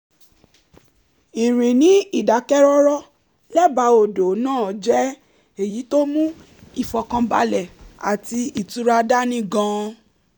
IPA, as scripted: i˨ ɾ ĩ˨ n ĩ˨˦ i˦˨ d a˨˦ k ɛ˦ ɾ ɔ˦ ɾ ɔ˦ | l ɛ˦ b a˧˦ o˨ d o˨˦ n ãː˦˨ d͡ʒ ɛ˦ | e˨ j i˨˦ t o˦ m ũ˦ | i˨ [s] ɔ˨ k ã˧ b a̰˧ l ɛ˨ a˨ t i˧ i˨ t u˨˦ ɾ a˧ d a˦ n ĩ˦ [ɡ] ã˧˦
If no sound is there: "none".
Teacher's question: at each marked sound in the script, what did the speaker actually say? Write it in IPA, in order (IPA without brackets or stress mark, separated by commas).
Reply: f, ɡ